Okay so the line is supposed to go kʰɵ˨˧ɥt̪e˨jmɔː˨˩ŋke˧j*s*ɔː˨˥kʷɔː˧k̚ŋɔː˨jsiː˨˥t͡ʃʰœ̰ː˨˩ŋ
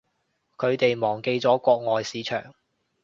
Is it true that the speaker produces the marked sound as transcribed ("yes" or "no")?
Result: no